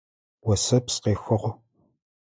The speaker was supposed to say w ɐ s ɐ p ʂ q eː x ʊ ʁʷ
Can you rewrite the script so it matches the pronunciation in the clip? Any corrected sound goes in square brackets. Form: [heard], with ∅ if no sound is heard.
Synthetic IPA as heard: w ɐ s ɐ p [s] q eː x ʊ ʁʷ